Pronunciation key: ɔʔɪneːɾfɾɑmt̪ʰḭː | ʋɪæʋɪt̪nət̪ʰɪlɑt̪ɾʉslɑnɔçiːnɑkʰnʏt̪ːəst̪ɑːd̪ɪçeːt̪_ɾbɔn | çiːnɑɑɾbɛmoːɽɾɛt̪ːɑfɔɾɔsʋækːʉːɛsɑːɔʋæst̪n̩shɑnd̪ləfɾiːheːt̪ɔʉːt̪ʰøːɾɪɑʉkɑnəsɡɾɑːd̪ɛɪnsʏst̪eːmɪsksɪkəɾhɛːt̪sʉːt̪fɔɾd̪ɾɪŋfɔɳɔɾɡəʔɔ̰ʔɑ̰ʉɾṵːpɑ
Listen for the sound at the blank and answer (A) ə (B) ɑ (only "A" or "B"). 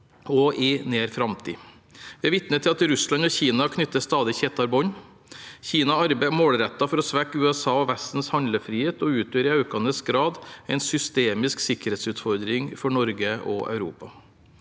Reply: B